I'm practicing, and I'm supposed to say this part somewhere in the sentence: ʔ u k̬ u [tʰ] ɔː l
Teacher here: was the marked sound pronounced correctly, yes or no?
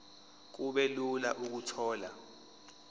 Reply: yes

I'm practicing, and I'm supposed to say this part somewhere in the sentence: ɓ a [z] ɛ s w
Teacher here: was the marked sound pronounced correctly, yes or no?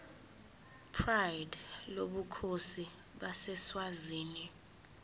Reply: no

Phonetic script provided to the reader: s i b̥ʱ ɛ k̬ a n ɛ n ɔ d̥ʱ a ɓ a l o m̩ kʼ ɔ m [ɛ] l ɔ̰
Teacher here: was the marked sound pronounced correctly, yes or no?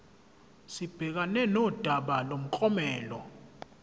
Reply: no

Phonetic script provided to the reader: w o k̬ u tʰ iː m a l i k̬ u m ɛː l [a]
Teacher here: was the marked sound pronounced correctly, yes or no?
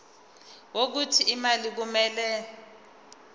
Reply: no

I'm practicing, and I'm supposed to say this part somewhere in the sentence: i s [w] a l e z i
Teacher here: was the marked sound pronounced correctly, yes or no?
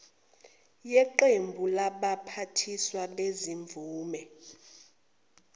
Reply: yes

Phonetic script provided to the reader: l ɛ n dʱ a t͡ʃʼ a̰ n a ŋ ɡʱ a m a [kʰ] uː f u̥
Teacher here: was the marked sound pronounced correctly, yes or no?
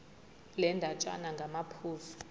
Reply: no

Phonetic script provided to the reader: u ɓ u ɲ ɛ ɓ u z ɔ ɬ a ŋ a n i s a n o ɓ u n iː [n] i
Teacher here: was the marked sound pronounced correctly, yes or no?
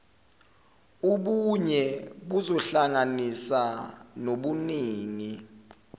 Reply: no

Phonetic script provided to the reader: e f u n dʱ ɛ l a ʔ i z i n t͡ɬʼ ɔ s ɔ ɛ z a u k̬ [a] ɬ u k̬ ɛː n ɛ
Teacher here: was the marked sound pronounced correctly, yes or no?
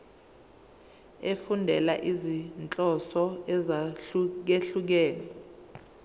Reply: no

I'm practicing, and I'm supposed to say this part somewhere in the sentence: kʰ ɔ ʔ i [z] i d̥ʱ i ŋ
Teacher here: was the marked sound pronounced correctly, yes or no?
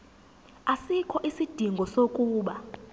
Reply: no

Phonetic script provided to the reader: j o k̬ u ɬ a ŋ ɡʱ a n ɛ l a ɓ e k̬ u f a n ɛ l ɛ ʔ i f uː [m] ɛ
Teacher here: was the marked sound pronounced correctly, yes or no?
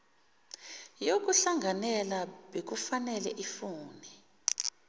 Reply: no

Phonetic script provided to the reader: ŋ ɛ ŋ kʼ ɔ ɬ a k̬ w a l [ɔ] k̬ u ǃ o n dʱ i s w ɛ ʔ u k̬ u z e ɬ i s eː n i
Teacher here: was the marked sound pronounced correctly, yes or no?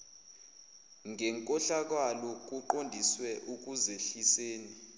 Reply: yes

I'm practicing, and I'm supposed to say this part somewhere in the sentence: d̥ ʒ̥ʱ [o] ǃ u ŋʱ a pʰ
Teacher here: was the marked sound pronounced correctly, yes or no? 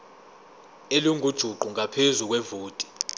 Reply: no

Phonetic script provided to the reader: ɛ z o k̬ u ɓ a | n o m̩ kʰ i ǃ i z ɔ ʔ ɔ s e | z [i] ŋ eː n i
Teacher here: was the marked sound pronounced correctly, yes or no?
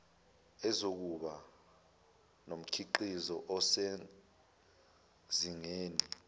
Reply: yes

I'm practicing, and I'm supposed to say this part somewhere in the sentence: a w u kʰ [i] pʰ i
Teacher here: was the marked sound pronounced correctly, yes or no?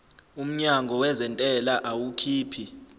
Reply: no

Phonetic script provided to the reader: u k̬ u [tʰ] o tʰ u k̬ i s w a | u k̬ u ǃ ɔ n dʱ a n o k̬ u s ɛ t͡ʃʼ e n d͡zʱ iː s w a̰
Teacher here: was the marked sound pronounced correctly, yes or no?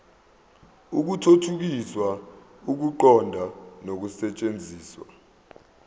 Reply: yes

